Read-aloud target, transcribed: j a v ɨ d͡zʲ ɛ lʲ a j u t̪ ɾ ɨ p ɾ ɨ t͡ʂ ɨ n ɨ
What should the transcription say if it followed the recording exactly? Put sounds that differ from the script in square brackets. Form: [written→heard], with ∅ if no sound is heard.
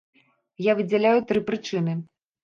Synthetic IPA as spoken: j a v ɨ d͡zʲ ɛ lʲ a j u t̪ ɾ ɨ p ɾ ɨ t͡ʂ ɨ n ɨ